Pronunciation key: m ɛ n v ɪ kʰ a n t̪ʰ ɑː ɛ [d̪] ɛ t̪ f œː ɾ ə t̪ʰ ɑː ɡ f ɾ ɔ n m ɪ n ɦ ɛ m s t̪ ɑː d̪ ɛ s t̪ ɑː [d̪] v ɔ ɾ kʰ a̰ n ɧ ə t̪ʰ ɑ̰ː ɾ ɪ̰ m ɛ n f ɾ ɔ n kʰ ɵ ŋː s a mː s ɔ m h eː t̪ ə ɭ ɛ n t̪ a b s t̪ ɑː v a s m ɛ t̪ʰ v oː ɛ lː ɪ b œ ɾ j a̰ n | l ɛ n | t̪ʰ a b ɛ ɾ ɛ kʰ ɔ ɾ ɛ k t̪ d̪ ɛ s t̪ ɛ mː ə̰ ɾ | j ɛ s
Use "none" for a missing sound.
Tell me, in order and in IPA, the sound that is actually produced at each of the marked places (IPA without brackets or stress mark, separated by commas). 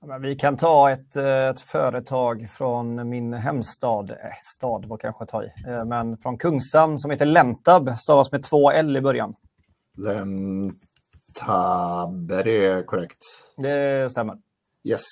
t̪, d̪